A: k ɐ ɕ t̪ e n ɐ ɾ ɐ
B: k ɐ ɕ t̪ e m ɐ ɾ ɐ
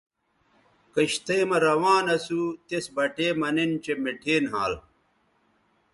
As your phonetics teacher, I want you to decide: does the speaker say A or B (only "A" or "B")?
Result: B